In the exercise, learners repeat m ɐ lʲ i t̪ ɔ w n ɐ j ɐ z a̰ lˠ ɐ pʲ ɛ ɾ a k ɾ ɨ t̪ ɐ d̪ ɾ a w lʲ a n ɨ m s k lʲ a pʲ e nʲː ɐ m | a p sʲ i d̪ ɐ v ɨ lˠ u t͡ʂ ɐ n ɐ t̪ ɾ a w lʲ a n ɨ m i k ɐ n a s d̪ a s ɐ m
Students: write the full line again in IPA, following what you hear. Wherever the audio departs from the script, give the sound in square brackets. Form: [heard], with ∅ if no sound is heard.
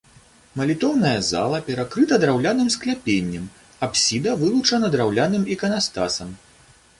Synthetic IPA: m ɐ lʲ i t̪ ɔ w n ɐ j ɐ z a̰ lˠ ɐ pʲ ɛ ɾ a k ɾ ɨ t̪ ɐ d̪ ɾ a w lʲ a n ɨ m s k lʲ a pʲ e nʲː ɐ m | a p sʲ i d̪ ɐ v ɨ lˠ u t͡ʂ ɐ n ɐ [d̪] ɾ a w lʲ a n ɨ m i k ɐ n a s [t̪] a s ɐ m